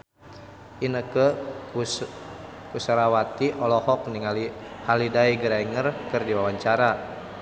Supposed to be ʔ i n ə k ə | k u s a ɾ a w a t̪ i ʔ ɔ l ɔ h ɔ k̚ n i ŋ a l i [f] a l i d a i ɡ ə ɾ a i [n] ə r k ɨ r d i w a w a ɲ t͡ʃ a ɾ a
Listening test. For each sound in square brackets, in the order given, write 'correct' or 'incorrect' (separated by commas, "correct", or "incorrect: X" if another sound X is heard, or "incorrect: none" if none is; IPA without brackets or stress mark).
incorrect: h, incorrect: ŋ